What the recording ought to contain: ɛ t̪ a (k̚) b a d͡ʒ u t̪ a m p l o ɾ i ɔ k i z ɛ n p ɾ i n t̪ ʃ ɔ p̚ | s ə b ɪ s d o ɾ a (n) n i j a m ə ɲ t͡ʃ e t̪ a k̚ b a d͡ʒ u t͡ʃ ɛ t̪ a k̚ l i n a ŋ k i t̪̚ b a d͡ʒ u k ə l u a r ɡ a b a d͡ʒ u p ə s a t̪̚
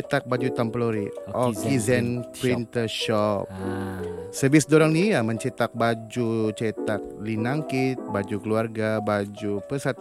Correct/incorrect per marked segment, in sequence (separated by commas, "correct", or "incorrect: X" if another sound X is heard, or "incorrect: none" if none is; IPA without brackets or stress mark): correct, incorrect: ŋ